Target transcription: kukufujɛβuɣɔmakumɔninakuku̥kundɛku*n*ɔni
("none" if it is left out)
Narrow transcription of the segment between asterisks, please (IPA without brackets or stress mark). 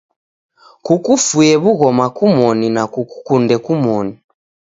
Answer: m